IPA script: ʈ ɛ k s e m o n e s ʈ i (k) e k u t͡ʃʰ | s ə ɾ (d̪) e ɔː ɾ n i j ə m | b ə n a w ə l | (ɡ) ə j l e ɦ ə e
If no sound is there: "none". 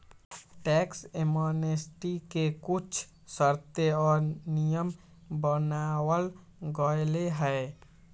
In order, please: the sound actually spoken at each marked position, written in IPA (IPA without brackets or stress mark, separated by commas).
k, t̪, ɡ